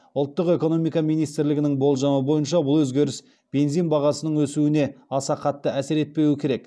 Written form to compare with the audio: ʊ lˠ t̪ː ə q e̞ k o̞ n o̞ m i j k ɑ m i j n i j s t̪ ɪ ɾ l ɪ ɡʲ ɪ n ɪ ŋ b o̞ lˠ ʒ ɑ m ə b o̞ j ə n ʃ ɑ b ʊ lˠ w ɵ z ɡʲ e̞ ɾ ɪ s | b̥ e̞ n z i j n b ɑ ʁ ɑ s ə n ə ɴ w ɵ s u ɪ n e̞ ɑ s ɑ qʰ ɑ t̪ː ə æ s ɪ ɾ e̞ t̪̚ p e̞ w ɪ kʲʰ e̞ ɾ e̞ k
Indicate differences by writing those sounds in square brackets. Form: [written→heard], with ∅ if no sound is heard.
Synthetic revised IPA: ʊ lˠ t̪ː ə q e̞ k o̞ n o̞ m i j k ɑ m i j n i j s t̪ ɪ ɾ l ɪ ɡʲ ɪ n ɪ ŋ b o̞ lˠ ʒ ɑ m ə b o̞ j ə n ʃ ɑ b ʊ lˠ w ɵ z ɡʲ e̞ ɾ ɪ s | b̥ e̞ n z i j n b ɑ ʁ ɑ s ə n ə ɴ w ɵ s u ɪ n e̞ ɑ s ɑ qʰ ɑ t̪ː ə æ s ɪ ɾ e̞ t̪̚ p e̞ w ɪ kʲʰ e̞ ɾ e̞ k